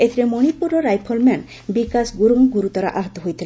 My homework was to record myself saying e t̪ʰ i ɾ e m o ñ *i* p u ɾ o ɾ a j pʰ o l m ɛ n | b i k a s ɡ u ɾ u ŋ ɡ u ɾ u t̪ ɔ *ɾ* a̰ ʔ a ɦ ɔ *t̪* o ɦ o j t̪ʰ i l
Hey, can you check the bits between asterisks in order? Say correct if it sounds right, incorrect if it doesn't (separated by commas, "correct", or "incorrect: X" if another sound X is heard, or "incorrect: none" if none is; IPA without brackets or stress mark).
correct, correct, correct